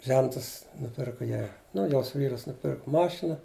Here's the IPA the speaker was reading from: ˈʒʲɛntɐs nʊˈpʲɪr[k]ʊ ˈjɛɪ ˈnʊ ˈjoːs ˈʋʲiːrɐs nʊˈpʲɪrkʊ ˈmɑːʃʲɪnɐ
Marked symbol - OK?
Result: yes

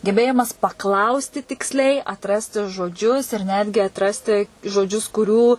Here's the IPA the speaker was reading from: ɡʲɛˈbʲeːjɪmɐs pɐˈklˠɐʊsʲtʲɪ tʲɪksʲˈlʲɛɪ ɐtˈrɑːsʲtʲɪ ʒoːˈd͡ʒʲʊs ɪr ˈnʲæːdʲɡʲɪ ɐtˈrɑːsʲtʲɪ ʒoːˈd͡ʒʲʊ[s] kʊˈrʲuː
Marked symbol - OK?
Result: yes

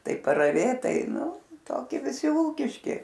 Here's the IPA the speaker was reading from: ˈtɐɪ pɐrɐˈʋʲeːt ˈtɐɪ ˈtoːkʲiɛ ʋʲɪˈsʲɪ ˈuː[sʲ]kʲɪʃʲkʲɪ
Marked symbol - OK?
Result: no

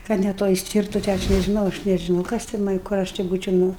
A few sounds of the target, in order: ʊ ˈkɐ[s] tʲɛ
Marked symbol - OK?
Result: yes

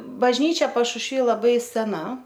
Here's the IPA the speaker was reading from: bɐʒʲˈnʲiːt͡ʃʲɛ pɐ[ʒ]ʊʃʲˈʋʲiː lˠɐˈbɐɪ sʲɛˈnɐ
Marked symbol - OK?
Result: no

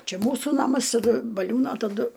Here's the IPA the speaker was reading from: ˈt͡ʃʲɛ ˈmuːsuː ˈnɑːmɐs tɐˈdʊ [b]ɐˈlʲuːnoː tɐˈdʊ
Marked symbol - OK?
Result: yes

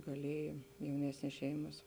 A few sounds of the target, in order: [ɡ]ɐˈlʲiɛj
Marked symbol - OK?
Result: yes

